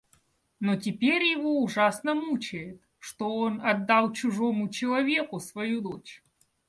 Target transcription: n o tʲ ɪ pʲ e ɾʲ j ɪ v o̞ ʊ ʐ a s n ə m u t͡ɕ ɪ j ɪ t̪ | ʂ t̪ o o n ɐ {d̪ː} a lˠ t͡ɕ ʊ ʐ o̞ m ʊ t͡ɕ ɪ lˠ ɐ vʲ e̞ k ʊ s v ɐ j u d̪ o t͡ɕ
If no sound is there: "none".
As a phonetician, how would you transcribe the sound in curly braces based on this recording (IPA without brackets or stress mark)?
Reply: d̪ː